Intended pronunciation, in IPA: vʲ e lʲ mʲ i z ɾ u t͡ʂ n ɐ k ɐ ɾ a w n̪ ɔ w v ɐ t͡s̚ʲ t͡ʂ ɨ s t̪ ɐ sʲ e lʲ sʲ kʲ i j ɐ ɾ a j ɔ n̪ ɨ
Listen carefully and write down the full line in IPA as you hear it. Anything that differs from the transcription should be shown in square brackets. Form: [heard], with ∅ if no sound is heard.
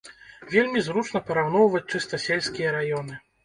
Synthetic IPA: vʲ e lʲ mʲ i z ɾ u t͡ʂ n ɐ [p] ɐ ɾ a w n̪ ɔ w v ɐ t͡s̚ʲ t͡ʂ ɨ s t̪ ɐ sʲ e lʲ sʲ kʲ i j ɐ ɾ a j ɔ n̪ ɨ